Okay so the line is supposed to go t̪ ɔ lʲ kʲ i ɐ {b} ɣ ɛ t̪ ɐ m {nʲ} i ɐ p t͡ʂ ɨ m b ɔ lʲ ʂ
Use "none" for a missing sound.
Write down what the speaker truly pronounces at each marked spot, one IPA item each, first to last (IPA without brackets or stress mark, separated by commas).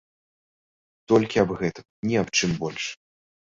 b, nʲ